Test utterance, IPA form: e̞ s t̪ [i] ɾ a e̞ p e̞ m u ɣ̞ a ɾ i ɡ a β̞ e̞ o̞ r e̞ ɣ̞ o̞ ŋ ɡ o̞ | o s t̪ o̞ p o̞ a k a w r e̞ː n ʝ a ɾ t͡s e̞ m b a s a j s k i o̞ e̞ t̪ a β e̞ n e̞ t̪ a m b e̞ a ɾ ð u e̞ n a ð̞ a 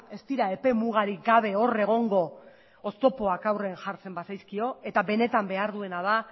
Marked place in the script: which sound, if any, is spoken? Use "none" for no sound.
i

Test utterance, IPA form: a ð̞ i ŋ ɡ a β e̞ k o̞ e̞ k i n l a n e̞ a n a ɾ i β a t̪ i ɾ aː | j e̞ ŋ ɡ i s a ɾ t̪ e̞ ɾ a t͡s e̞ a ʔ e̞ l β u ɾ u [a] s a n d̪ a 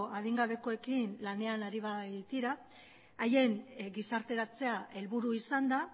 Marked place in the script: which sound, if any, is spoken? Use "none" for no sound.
i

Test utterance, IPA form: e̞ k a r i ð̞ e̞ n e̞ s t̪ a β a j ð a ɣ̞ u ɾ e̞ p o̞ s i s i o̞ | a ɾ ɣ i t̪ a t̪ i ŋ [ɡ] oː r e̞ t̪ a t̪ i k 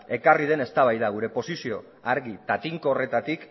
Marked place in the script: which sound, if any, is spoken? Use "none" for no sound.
k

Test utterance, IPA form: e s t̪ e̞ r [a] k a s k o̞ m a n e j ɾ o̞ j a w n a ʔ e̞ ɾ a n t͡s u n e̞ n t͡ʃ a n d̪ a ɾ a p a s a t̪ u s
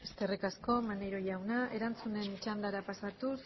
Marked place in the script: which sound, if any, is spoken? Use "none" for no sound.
i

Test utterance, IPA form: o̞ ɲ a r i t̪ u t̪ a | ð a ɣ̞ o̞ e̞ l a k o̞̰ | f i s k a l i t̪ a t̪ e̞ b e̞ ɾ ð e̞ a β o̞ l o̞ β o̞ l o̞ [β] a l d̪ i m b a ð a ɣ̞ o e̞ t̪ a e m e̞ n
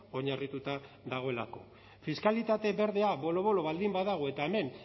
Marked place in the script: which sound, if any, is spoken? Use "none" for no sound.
β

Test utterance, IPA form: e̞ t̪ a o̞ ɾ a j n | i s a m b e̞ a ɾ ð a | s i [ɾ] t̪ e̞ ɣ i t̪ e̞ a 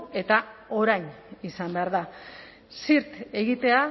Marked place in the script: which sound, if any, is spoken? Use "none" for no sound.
ɾ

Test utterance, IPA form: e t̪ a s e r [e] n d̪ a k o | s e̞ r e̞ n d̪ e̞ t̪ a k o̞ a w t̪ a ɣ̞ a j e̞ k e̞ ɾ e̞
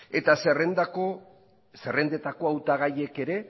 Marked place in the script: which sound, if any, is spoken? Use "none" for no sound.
e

